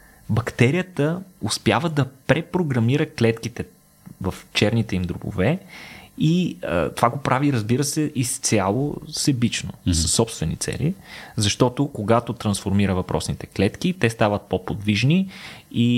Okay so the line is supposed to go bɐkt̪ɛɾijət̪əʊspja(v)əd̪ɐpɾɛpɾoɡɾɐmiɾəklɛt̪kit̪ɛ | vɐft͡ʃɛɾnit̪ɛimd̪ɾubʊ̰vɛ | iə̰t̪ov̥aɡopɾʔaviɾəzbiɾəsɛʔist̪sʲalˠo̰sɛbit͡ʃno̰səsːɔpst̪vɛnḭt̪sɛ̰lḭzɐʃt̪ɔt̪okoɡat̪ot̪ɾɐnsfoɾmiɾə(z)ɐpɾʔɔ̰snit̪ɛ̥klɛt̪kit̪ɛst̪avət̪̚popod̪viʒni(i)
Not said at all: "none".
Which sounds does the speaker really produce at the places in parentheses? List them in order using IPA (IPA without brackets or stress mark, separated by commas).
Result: v, v, i